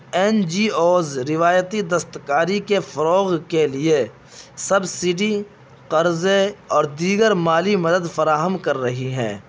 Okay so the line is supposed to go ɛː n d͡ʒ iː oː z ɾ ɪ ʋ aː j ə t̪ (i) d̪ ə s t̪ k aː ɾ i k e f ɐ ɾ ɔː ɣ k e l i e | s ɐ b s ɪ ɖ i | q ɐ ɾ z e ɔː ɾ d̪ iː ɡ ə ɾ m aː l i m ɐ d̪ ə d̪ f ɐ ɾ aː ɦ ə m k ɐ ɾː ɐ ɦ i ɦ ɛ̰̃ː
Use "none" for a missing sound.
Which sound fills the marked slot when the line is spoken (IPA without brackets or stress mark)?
i